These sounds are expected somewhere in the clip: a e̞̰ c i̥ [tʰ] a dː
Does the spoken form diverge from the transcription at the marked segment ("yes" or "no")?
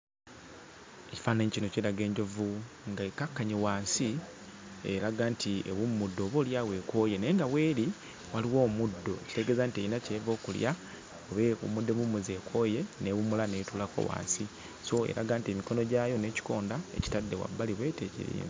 yes